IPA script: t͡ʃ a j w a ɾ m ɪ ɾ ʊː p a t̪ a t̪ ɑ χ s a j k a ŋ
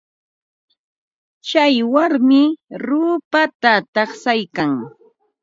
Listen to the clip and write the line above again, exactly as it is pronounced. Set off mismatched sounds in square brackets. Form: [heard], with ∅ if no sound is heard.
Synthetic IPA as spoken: t͡ʃ a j w a ɾ m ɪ ɾ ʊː p a t̪ a t̪ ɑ χ s a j k a ŋ